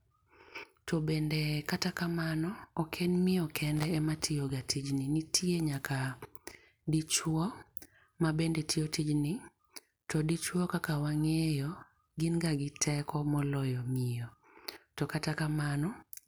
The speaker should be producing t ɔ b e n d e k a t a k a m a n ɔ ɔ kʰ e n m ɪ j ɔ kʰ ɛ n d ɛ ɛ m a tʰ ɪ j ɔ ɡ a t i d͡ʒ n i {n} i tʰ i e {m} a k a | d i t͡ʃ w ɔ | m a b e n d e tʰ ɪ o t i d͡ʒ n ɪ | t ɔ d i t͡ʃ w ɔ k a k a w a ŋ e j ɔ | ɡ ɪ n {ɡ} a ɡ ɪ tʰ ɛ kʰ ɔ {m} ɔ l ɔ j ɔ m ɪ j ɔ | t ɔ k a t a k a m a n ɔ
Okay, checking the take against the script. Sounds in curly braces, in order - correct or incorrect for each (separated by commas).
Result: correct, incorrect, correct, correct